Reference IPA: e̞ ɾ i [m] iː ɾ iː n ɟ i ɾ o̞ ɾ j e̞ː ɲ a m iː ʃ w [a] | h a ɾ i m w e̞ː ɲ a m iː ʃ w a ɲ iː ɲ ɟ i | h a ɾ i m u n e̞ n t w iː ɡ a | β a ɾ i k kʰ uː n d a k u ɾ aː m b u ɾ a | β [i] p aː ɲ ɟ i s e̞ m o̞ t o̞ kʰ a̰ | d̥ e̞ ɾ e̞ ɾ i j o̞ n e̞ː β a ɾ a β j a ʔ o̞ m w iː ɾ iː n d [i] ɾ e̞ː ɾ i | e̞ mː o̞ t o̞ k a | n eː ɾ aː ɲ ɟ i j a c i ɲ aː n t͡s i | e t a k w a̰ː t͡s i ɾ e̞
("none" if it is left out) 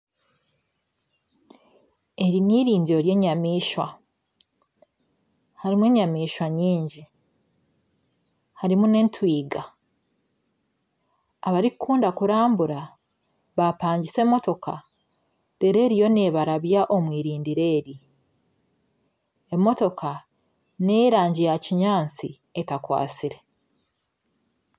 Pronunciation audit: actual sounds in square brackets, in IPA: n, a, a, i

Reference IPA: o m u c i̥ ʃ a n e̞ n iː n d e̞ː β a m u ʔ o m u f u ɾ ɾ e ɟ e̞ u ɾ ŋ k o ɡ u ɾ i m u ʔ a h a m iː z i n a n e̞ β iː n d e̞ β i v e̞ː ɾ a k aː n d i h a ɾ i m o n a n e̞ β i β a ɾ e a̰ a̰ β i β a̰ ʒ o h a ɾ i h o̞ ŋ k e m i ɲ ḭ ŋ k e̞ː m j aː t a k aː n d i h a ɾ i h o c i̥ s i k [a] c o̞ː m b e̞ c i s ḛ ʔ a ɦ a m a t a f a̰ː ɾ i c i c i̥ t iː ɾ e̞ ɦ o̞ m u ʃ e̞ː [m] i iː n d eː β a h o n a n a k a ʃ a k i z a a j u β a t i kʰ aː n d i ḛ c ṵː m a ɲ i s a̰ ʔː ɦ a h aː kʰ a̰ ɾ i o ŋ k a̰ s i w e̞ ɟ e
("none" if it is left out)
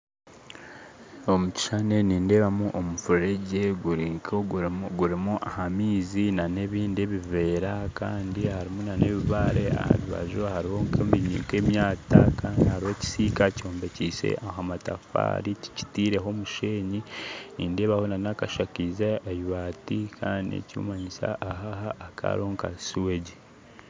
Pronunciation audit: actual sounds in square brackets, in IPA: a, ɲ

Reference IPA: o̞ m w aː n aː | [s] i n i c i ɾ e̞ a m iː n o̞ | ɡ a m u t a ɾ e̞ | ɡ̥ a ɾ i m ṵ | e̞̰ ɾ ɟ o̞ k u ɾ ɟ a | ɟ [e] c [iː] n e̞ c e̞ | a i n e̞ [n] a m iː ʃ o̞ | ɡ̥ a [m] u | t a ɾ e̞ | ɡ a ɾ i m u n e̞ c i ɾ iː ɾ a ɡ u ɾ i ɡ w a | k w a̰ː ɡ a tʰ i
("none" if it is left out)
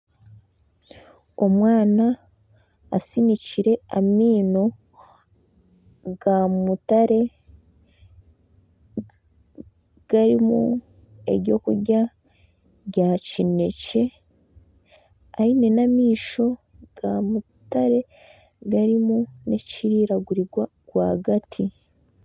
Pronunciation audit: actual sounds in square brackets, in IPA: s, a, i, n, m

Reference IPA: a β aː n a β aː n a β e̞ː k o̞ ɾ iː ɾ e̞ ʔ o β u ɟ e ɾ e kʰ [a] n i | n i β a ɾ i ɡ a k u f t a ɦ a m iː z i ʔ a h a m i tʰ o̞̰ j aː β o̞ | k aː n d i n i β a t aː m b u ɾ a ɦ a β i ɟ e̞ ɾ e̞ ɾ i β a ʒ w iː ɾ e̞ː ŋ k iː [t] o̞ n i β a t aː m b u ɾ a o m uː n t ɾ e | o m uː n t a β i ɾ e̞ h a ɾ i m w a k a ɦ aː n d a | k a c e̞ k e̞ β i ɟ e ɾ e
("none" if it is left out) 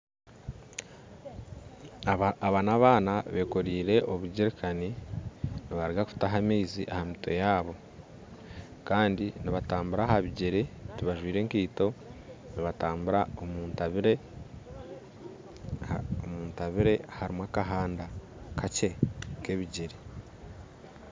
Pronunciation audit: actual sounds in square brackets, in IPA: a, t

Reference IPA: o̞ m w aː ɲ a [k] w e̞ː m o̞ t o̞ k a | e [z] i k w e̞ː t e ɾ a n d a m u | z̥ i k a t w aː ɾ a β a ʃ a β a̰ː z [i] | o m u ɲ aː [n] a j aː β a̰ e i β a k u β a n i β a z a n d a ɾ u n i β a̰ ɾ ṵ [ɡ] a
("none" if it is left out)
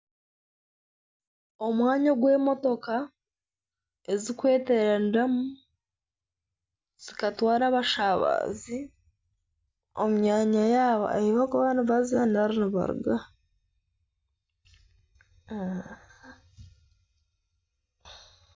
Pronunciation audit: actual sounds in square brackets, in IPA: ɡ, z, i, ɲ, ɡ

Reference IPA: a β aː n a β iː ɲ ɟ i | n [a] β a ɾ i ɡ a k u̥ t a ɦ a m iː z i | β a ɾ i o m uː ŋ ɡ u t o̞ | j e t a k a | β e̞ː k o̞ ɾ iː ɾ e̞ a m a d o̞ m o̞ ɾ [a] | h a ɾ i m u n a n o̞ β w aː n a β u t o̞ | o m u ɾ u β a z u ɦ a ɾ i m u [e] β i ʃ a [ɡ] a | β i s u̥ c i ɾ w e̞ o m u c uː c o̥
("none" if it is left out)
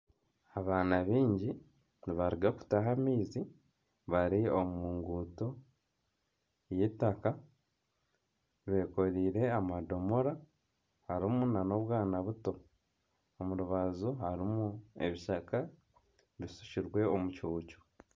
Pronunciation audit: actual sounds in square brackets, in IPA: i, a, e, k

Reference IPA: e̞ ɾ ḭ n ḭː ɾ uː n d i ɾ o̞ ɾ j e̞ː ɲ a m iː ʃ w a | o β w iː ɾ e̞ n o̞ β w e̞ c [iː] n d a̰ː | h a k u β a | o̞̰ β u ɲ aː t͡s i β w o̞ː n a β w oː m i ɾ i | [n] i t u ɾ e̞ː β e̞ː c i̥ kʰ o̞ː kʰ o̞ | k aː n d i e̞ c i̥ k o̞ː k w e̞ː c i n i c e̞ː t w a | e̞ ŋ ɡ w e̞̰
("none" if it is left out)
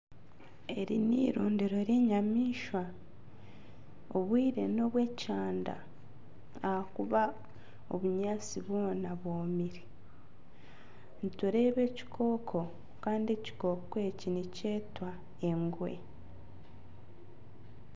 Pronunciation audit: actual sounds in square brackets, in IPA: aː, n

